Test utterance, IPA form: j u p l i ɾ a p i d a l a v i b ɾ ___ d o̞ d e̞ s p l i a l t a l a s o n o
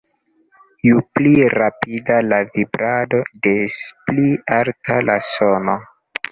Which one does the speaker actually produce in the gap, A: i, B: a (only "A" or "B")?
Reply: B